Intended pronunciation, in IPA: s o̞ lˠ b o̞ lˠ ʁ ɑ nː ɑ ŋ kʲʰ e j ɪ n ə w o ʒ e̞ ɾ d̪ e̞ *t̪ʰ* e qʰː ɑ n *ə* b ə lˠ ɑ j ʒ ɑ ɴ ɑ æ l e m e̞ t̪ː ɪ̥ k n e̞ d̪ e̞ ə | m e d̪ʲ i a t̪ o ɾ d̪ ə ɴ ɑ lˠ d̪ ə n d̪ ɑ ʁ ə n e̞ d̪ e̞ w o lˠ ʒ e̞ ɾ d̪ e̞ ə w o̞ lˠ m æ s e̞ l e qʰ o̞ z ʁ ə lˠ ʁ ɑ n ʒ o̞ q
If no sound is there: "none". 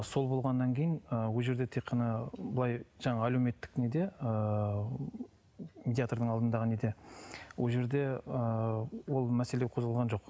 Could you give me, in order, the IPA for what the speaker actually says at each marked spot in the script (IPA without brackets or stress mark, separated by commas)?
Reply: t̪ʰ, ɑ